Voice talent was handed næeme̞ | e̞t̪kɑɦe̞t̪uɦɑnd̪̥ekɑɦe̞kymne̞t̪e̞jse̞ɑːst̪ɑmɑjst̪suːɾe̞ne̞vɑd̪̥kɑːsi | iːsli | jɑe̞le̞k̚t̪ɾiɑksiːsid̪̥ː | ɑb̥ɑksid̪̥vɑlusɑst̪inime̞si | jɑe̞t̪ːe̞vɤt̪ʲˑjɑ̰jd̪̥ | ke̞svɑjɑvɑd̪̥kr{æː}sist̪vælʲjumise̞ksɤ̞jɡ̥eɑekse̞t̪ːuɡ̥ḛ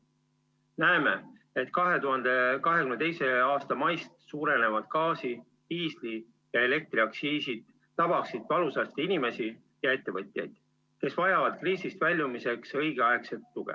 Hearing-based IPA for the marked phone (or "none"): iː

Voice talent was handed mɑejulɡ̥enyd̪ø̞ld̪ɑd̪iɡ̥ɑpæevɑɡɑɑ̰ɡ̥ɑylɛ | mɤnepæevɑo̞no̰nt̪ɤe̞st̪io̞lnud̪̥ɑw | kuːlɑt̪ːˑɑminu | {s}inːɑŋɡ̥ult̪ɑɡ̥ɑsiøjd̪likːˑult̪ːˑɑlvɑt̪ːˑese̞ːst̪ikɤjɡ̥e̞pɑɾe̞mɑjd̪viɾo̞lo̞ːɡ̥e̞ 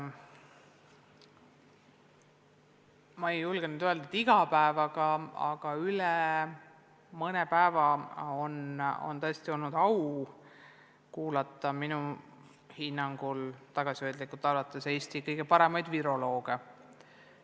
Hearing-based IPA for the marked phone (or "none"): h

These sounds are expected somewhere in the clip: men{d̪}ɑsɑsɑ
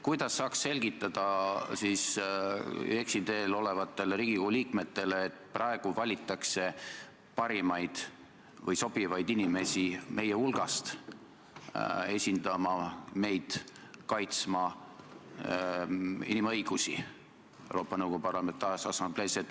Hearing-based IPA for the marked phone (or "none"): t̪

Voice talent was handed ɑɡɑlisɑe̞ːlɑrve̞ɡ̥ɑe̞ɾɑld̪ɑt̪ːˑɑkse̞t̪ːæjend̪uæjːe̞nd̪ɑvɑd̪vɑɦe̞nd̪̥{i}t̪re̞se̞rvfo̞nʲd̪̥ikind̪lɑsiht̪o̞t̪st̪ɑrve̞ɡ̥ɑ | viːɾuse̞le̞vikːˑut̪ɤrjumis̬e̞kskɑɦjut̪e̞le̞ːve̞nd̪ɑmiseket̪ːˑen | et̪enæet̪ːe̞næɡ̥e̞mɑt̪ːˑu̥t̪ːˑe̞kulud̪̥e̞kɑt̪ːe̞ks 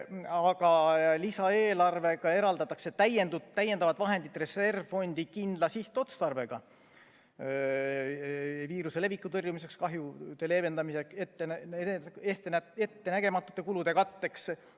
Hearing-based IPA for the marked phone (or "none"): i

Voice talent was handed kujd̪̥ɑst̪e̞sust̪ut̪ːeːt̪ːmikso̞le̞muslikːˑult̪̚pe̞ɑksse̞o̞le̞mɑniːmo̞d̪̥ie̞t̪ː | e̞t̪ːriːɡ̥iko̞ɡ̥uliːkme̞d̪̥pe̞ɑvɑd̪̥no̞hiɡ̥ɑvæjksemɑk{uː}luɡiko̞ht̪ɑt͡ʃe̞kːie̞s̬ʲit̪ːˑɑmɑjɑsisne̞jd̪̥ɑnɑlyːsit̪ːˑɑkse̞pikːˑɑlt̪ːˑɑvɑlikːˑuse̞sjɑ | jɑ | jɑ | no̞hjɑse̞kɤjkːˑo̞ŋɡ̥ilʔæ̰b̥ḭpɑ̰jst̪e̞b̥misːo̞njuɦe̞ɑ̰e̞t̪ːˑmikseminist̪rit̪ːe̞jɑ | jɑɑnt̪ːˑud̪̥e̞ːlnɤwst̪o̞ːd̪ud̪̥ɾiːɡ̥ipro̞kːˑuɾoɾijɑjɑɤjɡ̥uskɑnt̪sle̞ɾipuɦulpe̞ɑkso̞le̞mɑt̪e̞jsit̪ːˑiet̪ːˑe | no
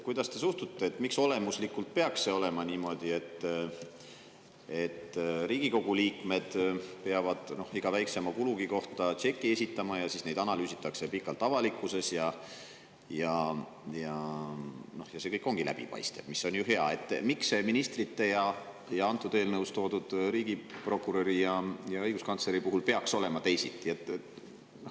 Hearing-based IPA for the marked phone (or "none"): u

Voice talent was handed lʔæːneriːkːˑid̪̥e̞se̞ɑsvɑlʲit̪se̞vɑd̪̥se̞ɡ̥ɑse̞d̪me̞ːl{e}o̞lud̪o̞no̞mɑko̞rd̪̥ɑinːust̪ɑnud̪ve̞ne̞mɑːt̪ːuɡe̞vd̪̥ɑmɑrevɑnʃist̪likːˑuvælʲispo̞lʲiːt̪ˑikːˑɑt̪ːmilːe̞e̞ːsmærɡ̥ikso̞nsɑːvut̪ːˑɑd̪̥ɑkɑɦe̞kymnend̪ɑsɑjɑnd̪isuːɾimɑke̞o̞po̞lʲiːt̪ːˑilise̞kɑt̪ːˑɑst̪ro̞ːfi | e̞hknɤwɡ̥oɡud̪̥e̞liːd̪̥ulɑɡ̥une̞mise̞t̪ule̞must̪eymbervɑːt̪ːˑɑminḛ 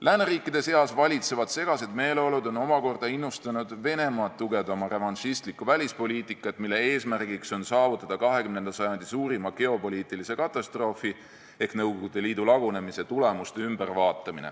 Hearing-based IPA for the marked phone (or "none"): e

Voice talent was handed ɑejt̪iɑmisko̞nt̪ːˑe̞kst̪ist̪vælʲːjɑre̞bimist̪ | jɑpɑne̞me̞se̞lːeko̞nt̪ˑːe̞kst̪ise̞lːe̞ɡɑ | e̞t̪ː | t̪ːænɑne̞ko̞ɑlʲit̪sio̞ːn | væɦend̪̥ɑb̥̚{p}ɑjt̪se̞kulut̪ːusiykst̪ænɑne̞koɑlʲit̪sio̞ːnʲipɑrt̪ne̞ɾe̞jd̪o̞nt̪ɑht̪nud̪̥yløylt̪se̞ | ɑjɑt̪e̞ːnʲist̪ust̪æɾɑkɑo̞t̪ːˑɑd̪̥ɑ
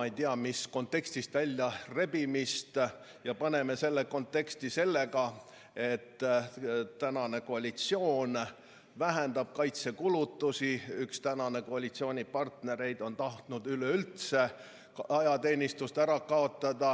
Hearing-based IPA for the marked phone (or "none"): k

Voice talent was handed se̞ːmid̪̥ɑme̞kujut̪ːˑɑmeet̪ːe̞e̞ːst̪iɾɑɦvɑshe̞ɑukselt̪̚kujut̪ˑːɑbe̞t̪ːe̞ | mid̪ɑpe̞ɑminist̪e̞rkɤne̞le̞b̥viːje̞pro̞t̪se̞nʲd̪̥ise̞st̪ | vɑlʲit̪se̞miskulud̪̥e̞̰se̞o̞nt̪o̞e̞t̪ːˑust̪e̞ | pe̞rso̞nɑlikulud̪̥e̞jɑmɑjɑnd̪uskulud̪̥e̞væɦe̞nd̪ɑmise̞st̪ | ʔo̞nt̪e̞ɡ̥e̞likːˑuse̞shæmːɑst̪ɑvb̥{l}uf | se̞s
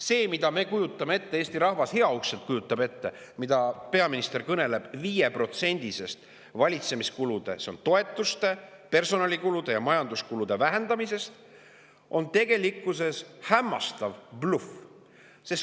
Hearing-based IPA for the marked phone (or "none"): l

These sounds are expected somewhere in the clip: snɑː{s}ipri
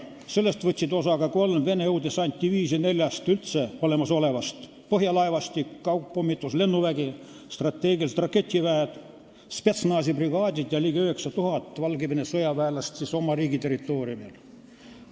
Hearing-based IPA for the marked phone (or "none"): s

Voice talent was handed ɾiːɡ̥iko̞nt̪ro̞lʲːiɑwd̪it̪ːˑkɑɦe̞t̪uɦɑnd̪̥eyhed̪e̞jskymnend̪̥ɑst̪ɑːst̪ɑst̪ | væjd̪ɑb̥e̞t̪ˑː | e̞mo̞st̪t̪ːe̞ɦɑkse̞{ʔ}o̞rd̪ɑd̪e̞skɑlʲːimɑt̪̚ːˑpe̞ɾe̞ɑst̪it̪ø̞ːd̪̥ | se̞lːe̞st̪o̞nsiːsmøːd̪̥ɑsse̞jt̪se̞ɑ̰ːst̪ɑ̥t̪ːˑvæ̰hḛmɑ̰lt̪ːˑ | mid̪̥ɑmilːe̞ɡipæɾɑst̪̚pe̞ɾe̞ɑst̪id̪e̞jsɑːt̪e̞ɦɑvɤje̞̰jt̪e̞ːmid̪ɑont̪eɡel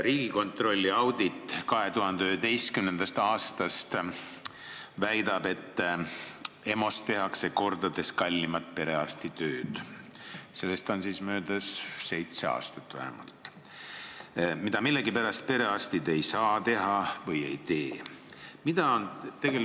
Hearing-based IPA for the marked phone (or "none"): k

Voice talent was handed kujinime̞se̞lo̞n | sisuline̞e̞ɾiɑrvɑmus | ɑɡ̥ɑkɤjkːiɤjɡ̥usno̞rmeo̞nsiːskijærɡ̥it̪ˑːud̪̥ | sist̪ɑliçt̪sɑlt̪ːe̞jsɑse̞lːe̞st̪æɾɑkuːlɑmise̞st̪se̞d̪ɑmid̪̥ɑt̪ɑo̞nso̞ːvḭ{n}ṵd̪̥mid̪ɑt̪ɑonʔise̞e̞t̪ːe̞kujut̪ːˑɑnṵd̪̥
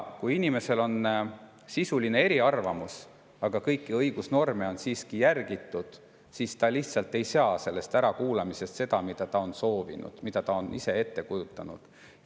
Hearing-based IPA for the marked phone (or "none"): n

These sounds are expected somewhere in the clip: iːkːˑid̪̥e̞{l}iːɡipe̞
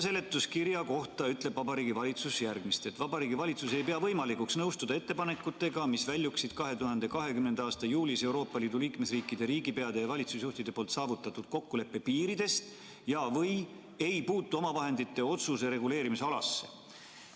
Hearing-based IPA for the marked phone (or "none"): ɾ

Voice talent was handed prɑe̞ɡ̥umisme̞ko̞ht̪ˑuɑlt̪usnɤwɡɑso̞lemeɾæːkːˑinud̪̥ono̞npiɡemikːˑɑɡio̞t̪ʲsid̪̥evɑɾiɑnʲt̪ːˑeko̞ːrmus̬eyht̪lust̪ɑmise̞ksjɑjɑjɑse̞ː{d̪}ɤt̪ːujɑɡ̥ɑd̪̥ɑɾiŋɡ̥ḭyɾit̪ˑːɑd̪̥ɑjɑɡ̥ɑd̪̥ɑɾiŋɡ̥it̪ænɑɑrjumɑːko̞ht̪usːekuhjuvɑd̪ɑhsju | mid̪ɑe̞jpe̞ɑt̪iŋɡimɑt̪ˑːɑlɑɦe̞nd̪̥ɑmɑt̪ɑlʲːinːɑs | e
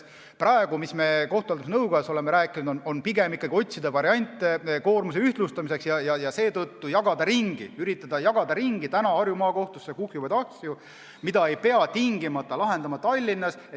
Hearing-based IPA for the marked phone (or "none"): t̪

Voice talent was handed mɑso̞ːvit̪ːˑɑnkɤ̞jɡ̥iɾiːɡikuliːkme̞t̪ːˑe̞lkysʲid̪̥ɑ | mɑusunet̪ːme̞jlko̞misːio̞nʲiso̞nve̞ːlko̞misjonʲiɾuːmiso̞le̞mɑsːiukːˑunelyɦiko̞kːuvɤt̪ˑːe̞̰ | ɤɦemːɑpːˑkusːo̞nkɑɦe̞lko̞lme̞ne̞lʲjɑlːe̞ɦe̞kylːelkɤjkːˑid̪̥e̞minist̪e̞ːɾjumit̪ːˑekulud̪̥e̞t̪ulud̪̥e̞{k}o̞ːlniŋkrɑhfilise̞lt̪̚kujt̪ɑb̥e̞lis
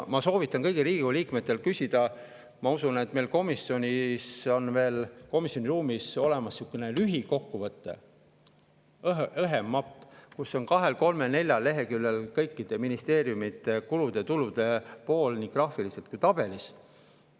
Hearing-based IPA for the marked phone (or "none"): p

